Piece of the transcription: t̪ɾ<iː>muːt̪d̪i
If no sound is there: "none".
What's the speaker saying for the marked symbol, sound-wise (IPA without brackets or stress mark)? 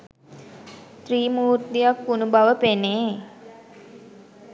iː